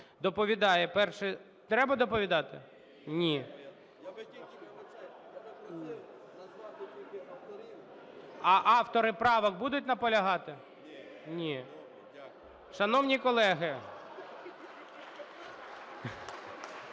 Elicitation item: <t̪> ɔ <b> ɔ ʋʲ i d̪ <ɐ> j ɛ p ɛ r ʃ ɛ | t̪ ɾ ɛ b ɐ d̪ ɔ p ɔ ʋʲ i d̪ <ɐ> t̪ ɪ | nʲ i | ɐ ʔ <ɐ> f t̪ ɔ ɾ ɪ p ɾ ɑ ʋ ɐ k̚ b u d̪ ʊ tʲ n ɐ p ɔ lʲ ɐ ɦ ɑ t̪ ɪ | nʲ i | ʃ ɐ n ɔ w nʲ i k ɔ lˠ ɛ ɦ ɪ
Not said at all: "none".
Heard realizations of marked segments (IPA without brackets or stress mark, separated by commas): d̪, p, ɑ, ɑ, ɑ